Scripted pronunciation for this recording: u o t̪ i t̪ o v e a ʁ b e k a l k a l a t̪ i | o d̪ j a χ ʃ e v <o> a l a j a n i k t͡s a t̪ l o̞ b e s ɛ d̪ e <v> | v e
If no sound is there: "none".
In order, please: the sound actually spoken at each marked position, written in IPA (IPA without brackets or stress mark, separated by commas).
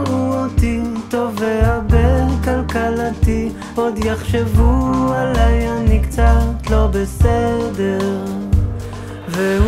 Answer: u, ʁ